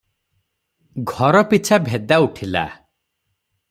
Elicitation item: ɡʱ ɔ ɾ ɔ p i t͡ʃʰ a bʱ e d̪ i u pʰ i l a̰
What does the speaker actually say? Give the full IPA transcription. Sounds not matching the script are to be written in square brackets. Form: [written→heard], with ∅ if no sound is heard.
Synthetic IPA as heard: ɡʱ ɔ ɾ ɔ p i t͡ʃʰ a bʱ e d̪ [i→a] u [pʰ→ʈʰ] i l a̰